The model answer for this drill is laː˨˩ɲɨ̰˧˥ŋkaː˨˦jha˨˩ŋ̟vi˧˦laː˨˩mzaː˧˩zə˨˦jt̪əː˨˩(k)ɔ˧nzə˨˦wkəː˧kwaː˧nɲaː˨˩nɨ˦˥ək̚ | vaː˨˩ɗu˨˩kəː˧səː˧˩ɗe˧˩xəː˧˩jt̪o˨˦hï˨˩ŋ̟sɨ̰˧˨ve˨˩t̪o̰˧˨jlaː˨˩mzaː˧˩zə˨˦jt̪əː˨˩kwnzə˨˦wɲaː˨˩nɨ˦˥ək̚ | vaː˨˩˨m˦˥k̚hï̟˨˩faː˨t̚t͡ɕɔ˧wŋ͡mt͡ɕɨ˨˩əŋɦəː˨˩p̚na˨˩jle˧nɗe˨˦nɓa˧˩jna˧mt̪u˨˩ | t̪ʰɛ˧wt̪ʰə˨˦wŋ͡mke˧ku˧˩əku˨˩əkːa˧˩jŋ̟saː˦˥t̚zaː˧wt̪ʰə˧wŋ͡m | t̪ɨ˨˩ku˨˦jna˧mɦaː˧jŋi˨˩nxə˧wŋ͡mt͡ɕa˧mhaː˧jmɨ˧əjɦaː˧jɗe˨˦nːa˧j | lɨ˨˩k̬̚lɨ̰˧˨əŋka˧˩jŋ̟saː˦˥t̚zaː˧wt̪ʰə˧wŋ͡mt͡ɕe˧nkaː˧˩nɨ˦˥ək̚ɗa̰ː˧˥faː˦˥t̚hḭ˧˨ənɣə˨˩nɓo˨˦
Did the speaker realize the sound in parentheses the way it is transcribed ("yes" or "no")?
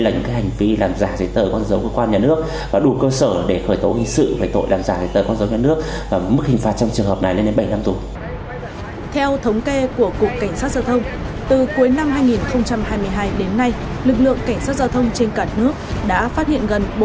yes